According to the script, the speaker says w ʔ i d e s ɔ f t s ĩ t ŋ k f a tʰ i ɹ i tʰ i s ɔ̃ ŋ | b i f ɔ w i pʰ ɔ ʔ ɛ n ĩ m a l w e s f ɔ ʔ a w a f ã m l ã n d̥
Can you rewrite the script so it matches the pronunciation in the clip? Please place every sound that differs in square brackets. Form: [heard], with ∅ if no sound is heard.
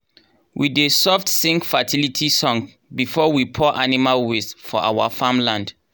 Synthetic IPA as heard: w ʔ i d e s ɔ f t s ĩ [∅] ŋ k f a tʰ i [l] i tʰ i s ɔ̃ ŋ | b i f ɔ w i pʰ ɔ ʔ [a] n [i] m a l w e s f ɔ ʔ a w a f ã m l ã n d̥